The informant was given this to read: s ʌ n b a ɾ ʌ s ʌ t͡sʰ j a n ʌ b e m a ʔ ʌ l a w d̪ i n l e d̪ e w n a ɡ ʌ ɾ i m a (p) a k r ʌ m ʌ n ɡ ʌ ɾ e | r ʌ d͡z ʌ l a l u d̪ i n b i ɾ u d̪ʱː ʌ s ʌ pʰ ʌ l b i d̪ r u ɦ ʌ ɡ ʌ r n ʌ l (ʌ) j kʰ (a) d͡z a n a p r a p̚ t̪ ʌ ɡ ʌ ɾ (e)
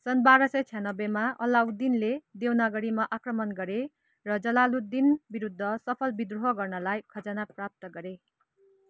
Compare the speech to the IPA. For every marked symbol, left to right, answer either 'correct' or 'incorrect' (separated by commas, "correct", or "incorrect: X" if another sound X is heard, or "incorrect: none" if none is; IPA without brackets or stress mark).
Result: incorrect: ʔ, incorrect: a, incorrect: ʌ, correct